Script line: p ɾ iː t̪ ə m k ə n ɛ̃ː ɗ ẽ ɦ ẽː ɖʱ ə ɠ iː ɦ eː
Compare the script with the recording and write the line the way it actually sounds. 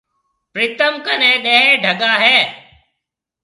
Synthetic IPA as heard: p ɾ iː t̪ ə m k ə n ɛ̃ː ɗ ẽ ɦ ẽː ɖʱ ə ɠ aː ɦ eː